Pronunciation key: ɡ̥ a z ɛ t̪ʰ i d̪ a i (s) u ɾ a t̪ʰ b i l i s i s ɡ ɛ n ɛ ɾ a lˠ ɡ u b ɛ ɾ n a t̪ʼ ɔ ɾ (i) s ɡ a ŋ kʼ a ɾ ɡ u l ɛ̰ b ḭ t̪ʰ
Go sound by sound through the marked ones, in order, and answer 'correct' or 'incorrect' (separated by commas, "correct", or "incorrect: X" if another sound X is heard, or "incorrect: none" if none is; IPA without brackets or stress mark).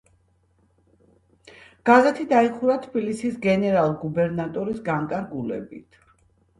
incorrect: χ, correct